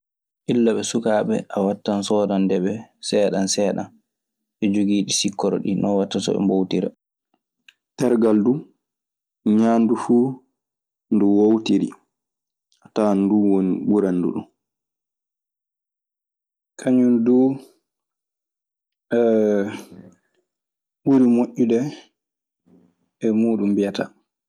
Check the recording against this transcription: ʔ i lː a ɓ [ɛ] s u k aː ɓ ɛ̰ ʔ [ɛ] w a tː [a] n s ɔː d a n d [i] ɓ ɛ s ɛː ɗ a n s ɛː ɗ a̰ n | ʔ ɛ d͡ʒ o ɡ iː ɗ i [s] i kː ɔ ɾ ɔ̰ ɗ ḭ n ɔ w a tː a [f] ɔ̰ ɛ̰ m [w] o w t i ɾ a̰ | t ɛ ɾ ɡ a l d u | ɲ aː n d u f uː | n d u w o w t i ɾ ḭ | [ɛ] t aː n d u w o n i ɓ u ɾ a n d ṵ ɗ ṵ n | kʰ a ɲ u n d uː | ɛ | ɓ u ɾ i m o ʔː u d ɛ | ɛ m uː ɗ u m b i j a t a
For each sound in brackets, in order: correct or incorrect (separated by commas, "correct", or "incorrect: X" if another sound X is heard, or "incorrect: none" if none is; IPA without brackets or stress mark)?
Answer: correct, incorrect: a, correct, incorrect: ɛ, correct, incorrect: s, incorrect: b, incorrect: a